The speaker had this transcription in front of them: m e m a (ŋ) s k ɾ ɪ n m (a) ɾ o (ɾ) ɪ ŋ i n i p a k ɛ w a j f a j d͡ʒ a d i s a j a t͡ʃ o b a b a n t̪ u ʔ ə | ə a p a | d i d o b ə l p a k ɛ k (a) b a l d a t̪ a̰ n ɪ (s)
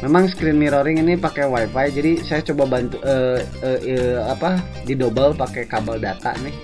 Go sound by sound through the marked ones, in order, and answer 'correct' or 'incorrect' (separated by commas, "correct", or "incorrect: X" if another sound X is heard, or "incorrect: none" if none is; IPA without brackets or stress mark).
correct, incorrect: i, correct, correct, incorrect: h